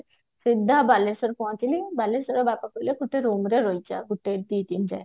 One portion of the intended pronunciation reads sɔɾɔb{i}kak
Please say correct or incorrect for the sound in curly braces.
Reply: incorrect